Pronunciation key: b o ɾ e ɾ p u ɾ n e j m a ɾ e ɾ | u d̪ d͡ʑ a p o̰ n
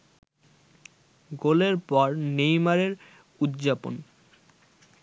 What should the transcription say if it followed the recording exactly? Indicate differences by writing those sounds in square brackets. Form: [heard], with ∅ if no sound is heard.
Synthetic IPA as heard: [ɡ] o [l] e ɾ p [ɔ] ɾ n e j m a ɾ e ɾ | u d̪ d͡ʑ a p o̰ n